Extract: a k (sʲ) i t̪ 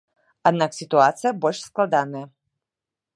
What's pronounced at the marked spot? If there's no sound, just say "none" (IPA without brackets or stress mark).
sʲ